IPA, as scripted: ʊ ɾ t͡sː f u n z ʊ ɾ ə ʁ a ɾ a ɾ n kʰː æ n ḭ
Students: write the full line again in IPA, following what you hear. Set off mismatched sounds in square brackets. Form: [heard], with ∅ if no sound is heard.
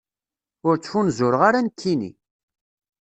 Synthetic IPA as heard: ʊ ɾ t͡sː f u n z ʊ ɾ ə ʁ a ɾ a [∅] n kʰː [i] n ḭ

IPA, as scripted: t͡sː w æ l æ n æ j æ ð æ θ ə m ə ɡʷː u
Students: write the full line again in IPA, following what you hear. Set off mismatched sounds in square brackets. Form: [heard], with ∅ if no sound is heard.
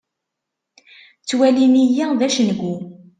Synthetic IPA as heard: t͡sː w æ l [i] n [i] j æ ð æ [ʃ] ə [n] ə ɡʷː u

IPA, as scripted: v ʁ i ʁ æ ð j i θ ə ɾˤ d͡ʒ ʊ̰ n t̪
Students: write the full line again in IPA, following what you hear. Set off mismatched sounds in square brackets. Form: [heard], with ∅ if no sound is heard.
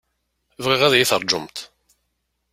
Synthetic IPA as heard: v ʁ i ʁ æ ð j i θ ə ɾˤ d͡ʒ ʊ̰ [m] t̪

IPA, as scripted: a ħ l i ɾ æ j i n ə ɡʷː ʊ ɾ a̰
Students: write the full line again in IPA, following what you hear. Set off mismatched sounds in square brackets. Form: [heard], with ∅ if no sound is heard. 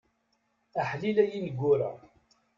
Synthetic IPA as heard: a ħ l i [l] æ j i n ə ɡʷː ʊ ɾ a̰

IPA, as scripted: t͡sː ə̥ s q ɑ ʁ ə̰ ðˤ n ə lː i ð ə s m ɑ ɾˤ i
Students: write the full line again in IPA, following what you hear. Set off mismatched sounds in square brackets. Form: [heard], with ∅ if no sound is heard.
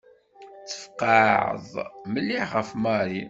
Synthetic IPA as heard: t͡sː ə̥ [f] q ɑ [ʕ] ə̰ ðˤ [m] ə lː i [ʁ] ə [f] m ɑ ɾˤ i

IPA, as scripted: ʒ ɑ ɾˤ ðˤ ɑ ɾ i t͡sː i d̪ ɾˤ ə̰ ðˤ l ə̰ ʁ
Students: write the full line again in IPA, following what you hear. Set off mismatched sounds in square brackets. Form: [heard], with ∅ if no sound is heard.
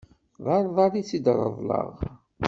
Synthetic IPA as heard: [ð] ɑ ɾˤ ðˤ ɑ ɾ i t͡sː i d̪ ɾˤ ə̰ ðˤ l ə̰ ʁ

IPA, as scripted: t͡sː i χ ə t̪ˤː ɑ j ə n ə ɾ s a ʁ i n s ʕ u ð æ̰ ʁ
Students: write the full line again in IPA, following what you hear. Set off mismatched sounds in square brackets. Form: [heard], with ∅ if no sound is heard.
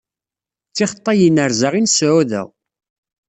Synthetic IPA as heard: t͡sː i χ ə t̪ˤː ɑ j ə n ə ɾ [z] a ʁ i n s ʕ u ð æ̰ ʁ

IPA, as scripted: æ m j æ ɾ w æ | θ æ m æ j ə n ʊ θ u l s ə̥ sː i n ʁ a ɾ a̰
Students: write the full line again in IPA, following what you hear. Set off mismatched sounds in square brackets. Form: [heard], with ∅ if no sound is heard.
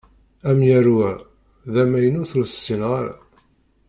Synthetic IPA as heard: æ m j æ ɾ w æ | [ð] æ m æ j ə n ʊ θ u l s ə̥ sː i n ʁ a ɾ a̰

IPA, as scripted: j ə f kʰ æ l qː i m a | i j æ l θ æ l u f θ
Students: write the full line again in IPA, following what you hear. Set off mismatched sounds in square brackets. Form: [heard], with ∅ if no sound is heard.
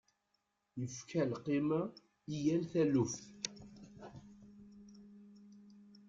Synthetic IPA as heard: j ə f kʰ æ l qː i m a | i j æ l θ æ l u f θ

